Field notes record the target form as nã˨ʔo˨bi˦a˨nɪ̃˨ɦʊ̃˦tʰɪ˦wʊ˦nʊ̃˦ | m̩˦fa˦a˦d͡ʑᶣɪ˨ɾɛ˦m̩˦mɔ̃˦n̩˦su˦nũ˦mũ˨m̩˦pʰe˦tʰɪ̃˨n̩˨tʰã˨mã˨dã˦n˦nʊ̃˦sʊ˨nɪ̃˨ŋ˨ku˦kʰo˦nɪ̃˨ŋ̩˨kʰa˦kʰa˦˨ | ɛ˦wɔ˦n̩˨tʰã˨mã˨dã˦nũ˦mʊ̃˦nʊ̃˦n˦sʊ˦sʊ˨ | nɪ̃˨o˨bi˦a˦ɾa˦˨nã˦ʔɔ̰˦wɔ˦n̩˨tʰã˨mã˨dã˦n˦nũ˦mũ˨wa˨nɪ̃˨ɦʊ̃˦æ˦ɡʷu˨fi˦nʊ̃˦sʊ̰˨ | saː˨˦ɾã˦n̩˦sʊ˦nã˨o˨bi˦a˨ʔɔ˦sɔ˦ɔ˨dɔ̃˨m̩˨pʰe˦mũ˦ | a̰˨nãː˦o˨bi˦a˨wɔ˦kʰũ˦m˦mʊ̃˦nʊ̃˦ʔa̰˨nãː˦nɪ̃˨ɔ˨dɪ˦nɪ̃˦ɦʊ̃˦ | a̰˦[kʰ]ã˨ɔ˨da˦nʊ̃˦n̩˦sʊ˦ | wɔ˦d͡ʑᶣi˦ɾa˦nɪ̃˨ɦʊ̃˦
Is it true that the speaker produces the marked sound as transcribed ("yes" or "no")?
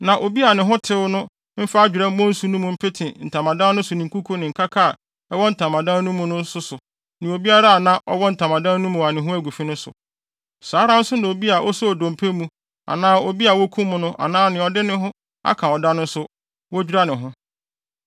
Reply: yes